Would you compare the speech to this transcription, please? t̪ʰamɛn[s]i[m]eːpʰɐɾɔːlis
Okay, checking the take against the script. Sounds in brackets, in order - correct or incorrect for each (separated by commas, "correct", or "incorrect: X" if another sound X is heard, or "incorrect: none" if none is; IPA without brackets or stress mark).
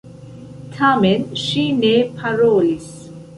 incorrect: ʃ, incorrect: n